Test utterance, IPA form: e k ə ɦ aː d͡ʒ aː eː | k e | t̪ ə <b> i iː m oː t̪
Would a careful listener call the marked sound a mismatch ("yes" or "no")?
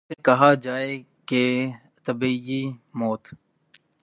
no